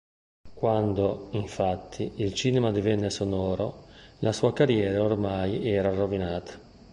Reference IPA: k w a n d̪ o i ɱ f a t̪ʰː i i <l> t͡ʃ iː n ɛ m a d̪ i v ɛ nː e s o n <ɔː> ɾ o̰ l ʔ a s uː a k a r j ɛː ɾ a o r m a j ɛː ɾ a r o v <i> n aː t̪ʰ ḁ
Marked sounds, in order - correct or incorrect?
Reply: correct, correct, correct

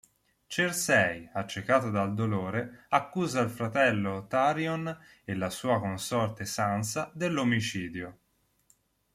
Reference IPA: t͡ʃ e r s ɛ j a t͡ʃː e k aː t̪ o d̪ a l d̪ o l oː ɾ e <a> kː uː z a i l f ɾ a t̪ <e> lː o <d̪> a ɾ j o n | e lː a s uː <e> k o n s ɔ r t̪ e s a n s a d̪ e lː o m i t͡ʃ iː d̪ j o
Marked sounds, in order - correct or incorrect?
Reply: correct, incorrect: ɛ, incorrect: t̪, incorrect: a

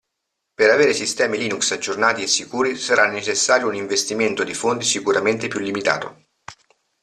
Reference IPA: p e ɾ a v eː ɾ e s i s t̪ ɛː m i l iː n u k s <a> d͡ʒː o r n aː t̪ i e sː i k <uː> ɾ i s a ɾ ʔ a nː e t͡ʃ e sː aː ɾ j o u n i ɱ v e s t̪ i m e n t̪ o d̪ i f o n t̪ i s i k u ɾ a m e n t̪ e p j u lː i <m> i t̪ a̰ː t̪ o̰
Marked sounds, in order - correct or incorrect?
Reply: correct, correct, correct

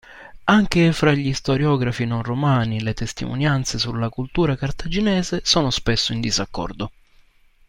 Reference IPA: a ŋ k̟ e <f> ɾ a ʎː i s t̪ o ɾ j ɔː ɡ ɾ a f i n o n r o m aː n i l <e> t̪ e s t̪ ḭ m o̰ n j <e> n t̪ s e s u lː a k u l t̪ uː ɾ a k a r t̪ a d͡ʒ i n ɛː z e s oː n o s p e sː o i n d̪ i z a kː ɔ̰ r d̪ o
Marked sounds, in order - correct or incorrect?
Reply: correct, correct, incorrect: a

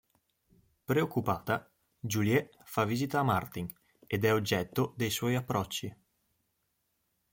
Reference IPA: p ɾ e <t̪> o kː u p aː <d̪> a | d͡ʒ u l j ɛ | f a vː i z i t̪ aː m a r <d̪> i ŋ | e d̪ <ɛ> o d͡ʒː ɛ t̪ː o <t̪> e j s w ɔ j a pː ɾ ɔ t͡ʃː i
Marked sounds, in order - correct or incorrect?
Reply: incorrect: none, incorrect: t̪, incorrect: t̪, correct, incorrect: d̪

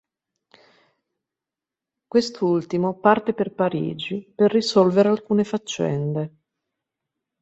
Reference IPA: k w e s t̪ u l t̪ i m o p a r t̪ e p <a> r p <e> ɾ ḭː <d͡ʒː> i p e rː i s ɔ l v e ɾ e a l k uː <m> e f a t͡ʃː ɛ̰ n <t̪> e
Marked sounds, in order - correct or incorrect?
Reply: incorrect: e, incorrect: a, incorrect: d͡ʒ, incorrect: n, incorrect: d̪

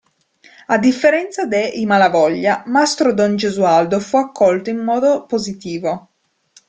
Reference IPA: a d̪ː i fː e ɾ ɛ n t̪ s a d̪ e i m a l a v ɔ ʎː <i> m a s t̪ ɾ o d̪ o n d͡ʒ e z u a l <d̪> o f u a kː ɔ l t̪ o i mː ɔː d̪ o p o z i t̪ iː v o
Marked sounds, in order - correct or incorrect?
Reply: incorrect: a, correct

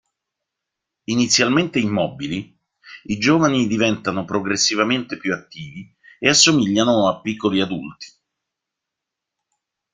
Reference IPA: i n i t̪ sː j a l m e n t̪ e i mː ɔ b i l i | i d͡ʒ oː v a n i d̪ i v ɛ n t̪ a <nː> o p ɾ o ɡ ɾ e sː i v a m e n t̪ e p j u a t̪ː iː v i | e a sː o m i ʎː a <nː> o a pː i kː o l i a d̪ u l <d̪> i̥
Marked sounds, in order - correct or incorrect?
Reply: incorrect: n, incorrect: n, incorrect: t̪

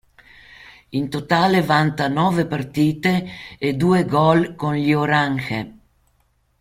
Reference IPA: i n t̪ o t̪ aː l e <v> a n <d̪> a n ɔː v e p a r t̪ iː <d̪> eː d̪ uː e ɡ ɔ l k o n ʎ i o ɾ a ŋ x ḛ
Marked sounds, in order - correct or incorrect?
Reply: correct, incorrect: t̪, incorrect: t̪

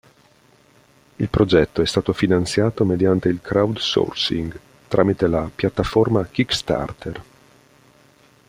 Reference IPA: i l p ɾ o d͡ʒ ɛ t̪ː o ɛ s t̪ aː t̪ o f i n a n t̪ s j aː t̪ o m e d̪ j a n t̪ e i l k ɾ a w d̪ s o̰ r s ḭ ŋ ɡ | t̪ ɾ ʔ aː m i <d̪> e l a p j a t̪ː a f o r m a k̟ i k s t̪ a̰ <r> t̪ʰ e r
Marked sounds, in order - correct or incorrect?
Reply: incorrect: t̪, correct

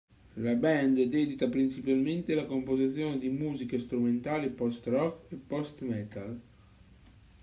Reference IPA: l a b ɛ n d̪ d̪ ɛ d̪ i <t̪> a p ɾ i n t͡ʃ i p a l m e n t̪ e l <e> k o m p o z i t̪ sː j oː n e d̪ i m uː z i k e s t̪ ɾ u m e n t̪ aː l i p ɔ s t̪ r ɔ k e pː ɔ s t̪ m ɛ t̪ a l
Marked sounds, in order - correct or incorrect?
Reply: correct, incorrect: a

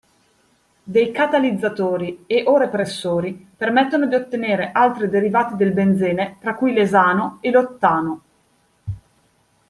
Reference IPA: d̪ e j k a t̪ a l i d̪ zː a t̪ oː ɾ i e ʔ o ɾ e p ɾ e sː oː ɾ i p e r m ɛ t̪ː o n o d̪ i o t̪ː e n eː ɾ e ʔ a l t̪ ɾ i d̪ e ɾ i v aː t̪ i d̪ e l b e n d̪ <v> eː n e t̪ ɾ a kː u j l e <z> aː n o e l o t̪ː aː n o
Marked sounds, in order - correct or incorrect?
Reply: incorrect: z, correct

